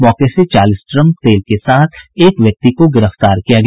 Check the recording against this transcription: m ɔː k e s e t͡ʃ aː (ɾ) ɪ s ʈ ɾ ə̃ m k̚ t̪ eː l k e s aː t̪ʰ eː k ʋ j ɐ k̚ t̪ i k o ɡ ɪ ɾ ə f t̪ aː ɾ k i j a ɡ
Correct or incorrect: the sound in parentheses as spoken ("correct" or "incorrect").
incorrect